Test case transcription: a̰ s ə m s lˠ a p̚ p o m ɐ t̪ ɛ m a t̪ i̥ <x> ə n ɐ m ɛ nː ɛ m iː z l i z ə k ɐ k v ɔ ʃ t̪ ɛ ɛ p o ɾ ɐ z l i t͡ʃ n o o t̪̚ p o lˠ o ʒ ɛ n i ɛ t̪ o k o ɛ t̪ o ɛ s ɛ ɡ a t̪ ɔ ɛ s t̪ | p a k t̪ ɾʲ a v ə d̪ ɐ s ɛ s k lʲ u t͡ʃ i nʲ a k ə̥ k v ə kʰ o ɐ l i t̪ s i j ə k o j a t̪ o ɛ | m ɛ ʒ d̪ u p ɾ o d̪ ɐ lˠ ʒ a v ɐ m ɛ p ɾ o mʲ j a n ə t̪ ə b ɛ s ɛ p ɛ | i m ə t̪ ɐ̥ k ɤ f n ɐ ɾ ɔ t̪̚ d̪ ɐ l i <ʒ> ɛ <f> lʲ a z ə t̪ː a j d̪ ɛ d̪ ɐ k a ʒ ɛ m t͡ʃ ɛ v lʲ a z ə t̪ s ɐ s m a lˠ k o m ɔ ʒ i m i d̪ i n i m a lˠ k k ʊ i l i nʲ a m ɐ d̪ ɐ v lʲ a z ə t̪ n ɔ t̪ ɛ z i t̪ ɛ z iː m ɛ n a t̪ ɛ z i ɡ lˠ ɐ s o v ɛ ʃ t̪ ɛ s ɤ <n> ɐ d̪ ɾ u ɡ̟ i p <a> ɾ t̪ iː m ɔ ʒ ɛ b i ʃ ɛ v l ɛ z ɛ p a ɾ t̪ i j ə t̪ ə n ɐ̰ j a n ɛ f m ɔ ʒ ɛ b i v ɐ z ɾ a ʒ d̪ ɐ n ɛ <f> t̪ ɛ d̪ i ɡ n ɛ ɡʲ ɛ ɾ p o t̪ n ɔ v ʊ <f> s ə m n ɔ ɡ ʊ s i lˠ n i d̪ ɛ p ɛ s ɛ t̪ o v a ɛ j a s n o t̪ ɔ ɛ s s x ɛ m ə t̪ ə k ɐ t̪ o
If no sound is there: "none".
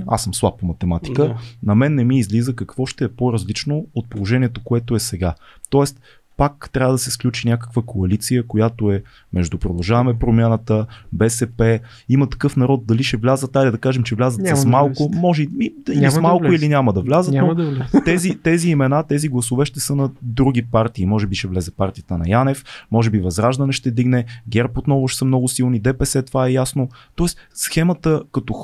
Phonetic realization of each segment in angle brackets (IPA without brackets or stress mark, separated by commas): k, ʃ, v, n, a, ʃ, ʃ